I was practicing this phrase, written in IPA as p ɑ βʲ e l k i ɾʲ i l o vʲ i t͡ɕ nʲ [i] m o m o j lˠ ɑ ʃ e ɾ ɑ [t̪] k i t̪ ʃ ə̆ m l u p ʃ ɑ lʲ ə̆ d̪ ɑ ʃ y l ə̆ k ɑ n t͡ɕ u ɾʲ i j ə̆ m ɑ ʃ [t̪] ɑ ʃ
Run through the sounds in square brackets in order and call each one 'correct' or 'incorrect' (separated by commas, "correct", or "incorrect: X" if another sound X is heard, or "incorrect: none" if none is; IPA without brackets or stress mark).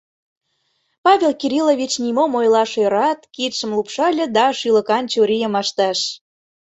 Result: correct, correct, correct